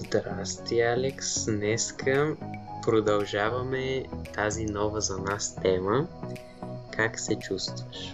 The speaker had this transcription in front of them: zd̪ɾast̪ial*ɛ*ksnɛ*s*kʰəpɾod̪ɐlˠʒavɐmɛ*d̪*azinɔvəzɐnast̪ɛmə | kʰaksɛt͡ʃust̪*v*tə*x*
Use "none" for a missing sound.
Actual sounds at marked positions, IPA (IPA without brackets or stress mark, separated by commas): ɛ, s, t̪, v, ʃ